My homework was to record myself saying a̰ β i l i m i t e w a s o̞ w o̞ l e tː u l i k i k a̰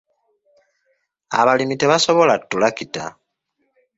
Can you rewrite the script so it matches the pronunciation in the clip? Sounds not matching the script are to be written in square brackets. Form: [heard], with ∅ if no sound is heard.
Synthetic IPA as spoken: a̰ β [a] l i m i t e [β] a s o̞ [β] o̞ l [a] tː u l [a] k i [t] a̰